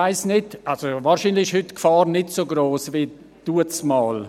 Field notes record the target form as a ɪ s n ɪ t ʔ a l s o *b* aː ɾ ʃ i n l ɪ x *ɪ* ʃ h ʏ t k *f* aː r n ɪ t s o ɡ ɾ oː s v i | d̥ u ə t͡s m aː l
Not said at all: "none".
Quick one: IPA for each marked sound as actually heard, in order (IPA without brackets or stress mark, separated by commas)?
v, ɪ, f